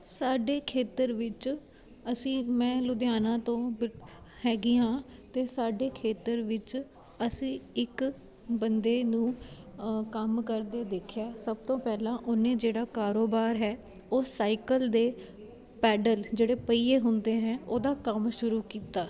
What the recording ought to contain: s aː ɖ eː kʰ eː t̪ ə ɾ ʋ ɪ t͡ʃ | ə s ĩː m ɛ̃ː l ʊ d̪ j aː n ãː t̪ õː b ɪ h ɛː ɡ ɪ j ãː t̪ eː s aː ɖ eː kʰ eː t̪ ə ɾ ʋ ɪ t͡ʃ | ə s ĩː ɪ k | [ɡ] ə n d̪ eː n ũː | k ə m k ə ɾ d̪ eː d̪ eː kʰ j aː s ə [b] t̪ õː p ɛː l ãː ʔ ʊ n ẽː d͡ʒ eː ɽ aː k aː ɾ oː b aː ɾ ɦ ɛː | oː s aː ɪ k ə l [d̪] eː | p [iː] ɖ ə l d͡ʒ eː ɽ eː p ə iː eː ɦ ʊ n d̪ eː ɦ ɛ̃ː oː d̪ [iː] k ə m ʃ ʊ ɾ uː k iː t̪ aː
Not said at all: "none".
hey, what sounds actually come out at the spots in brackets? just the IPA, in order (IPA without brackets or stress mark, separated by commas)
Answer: b, b, d̪, ɛː, aː